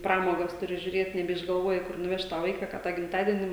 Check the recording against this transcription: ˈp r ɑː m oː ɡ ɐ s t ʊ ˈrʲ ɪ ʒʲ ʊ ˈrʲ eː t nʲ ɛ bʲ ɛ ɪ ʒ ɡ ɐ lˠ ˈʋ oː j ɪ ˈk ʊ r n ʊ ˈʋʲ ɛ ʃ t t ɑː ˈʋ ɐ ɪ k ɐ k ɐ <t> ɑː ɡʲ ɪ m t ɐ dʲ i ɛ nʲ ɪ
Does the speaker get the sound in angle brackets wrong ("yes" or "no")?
no